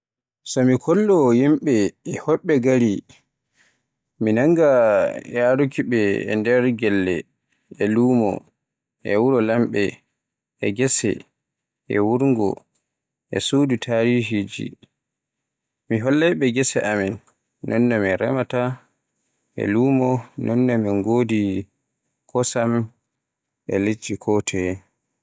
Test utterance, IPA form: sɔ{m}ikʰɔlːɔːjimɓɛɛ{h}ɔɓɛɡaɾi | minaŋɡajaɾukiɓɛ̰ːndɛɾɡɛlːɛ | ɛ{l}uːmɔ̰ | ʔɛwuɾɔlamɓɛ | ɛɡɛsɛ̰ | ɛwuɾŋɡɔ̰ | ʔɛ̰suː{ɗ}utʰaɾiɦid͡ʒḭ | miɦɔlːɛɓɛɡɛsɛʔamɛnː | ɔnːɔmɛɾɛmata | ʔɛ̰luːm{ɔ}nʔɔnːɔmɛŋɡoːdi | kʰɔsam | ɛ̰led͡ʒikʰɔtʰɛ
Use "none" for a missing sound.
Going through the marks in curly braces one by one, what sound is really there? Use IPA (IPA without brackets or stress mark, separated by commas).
m, h, l, d, ɔ